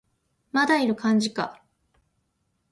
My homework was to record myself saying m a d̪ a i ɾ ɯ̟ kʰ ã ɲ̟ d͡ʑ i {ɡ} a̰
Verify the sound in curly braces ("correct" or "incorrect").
incorrect